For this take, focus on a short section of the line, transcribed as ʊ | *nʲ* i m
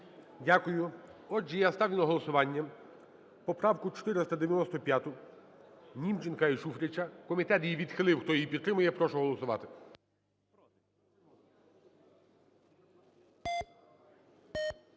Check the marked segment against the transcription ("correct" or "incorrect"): correct